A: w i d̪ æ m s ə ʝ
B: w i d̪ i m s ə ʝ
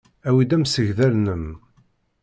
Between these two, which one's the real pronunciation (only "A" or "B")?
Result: A